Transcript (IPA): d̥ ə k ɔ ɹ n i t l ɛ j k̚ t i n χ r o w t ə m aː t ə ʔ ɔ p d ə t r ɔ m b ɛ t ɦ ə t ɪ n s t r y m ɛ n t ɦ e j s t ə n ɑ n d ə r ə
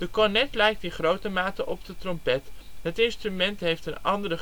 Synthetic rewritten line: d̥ ə k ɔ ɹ n ɛ t l ɛ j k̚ t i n χ r o w t ə m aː t ə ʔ ɔ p d ə t r ɔ m p ɛ t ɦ ə t ɪ n s t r y m ɛ n t ɦ e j f t ə n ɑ n d ə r ə